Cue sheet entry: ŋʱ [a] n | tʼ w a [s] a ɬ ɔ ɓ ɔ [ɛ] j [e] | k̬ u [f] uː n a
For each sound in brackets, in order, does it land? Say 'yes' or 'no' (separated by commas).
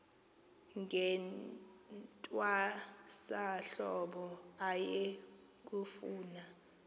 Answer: no, yes, no, yes, yes